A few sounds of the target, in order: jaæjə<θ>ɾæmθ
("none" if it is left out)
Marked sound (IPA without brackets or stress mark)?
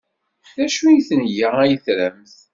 θ